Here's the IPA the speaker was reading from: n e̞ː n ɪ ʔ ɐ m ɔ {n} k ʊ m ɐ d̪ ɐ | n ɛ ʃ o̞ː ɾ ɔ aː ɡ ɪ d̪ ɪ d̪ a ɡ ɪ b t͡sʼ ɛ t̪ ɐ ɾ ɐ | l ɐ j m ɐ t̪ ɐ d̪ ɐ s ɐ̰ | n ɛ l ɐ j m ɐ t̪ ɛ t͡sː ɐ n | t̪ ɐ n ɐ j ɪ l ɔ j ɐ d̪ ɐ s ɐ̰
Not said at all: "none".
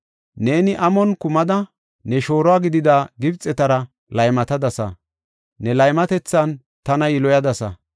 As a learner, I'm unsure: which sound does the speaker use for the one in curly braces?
n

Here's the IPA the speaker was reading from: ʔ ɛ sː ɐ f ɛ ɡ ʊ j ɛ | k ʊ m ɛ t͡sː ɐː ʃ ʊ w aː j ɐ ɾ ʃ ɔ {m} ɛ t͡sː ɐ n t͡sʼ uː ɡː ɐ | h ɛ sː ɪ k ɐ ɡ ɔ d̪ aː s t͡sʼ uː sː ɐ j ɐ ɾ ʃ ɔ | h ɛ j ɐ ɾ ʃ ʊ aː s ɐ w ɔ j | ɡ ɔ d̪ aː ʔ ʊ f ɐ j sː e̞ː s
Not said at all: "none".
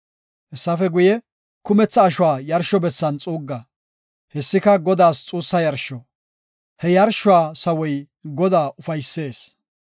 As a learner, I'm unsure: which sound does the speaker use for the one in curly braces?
b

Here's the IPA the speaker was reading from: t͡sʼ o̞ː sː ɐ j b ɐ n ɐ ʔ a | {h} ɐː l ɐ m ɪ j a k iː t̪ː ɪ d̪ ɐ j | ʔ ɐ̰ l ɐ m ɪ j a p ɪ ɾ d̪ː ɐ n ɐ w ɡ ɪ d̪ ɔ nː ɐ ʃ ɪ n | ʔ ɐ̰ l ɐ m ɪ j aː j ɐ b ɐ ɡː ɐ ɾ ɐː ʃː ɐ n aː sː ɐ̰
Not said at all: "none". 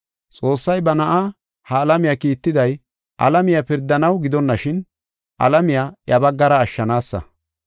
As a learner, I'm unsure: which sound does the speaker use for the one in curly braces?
h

